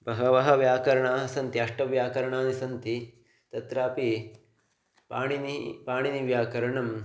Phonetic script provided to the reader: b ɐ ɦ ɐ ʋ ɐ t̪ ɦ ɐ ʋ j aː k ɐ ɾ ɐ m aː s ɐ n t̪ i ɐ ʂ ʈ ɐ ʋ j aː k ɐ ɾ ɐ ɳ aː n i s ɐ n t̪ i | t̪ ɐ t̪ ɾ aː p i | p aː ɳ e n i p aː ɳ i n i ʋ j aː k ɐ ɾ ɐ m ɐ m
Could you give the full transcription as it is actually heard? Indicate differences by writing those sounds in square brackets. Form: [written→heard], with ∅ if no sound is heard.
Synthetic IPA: b ɐ ɦ ɐ ʋ ɐ [t̪→∅] ɦ ɐ ʋ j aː k ɐ ɾ ɐ [m→ɳ] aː s ɐ n t̪ i ɐ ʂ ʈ ɐ ʋ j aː k ɐ ɾ ɐ ɳ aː n i s ɐ n t̪ i | t̪ ɐ t̪ ɾ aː p i | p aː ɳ [e→i] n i p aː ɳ i n i ʋ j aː k ɐ ɾ ɐ [m→ɳ] ɐ m